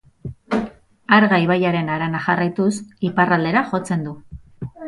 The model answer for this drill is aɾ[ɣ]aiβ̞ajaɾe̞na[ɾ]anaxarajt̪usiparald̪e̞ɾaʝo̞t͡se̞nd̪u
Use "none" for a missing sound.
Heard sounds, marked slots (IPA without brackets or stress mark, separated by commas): ɣ, ɾ